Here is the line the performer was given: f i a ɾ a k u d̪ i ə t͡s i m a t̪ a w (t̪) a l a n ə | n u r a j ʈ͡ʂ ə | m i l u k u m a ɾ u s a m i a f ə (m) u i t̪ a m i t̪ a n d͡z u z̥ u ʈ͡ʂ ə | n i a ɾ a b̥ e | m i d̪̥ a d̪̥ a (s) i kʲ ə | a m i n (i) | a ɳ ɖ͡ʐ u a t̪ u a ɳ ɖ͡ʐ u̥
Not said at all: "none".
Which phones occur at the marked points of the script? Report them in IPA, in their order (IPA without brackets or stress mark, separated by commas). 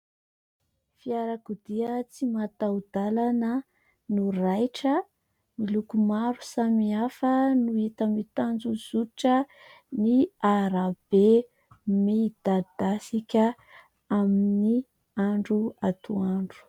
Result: d̪, n, s, i